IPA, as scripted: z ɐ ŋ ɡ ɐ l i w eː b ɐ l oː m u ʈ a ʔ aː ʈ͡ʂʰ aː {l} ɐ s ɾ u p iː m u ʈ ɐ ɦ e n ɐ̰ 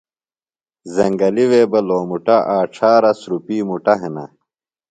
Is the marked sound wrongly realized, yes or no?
yes